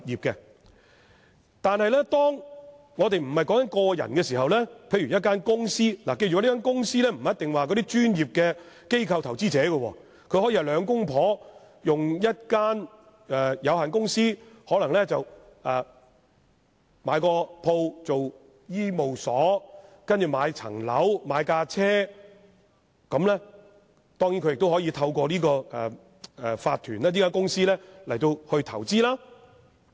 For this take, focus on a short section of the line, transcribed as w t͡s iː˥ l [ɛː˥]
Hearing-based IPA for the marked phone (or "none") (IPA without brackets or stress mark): aː˥